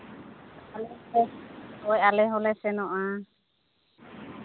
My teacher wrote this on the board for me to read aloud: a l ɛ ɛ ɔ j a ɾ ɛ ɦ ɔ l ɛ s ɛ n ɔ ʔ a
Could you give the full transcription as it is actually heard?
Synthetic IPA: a l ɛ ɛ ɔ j a l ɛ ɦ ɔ l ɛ s ɛ n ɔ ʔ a